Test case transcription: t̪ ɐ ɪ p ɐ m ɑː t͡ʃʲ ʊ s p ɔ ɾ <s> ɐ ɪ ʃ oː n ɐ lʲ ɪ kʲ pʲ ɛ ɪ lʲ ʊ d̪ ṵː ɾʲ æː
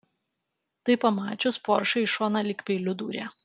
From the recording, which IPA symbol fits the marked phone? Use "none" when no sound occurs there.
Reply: ʃ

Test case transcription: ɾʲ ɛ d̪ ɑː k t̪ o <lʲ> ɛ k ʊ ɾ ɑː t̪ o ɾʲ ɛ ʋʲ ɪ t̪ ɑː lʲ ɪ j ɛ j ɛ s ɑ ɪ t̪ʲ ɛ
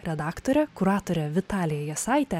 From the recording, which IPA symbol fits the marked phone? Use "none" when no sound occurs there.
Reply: ɾʲ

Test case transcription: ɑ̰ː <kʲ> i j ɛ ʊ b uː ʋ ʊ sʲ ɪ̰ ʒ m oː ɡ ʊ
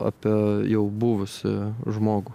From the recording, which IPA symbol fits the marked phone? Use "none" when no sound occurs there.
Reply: pʲ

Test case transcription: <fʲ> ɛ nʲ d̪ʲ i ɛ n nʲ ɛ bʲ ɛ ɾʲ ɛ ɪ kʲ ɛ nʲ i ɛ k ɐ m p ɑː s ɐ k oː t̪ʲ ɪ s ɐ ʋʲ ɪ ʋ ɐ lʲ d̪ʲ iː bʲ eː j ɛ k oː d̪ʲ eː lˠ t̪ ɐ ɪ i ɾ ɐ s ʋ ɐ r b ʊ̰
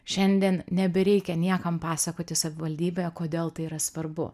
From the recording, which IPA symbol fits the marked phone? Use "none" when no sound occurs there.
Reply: ʃʲ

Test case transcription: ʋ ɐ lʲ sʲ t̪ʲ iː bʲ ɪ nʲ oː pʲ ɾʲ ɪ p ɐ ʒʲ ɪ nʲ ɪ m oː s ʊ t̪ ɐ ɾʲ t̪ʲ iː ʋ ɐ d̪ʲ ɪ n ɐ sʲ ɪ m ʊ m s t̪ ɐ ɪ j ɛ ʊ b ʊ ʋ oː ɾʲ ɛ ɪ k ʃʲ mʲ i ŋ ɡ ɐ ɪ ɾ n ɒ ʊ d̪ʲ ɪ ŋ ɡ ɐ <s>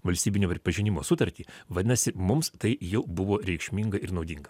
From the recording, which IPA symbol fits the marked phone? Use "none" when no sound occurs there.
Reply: none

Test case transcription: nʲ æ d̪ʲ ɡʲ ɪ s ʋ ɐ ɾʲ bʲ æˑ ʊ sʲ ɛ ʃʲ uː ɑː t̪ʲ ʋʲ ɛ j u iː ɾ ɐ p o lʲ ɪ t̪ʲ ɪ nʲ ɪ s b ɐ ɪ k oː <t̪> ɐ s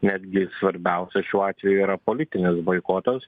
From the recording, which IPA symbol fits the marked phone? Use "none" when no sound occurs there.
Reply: t̪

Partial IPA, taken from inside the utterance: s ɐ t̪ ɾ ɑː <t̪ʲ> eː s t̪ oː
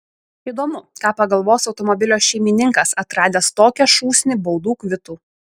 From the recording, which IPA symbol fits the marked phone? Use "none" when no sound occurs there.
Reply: d̪ʲ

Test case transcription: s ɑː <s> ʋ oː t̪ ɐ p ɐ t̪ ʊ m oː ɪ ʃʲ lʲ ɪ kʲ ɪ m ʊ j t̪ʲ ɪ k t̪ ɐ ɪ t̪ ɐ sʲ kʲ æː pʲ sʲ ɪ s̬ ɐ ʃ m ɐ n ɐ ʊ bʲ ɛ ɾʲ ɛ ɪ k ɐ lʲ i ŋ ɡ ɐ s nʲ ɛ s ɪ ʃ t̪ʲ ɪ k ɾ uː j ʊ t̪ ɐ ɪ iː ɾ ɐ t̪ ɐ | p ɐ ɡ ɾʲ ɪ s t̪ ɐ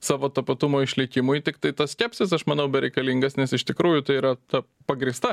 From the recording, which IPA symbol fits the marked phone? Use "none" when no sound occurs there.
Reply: none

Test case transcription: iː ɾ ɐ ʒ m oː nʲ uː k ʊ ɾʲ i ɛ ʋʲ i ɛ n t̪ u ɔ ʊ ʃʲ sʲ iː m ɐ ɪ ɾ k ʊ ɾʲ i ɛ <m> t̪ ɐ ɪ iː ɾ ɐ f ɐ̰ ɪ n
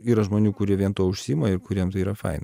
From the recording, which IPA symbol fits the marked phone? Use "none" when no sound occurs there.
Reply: m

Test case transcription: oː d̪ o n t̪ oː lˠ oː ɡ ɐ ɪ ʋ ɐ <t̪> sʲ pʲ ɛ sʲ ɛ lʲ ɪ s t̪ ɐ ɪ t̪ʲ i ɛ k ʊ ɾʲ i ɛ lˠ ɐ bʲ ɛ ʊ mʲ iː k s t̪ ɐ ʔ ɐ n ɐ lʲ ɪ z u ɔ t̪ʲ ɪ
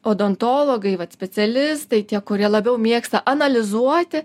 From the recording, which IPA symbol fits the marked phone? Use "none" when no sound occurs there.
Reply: t̪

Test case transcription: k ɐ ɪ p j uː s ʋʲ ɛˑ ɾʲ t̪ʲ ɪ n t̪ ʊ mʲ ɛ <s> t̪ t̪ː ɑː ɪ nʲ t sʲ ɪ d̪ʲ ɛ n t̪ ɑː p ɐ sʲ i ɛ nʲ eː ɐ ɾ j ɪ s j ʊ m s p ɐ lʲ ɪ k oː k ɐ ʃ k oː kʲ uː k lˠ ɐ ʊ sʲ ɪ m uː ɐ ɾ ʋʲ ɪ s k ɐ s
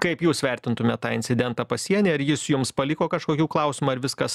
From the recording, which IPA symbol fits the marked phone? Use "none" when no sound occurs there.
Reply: none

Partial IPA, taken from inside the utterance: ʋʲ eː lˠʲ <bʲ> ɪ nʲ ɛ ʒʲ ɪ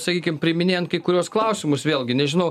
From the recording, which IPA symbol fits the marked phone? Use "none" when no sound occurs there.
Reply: ɡʲ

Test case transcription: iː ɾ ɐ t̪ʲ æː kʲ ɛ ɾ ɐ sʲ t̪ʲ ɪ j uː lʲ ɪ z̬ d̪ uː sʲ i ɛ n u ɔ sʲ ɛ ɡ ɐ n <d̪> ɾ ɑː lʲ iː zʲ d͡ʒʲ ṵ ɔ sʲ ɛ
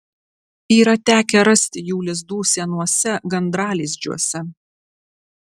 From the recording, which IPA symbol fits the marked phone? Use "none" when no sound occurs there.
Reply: d̪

